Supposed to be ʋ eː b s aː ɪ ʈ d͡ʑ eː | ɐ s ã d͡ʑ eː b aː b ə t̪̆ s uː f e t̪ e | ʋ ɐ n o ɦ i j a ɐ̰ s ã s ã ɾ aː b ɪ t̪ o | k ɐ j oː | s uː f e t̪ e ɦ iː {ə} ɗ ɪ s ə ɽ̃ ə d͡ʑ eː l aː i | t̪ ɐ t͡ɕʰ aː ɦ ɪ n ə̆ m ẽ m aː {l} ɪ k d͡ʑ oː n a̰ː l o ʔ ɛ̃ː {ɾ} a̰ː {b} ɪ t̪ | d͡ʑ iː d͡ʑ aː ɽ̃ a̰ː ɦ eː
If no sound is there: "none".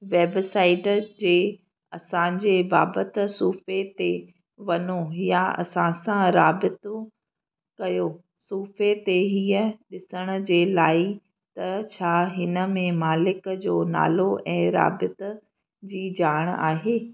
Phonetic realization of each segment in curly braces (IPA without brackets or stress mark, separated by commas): ə, l, ɾ, b